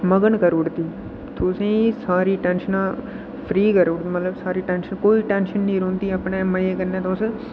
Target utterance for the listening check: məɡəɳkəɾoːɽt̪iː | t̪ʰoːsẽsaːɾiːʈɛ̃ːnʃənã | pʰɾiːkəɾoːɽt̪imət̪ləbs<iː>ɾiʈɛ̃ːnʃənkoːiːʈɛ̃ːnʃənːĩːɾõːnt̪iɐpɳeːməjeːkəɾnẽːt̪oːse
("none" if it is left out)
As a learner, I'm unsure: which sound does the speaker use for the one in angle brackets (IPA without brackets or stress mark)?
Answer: aː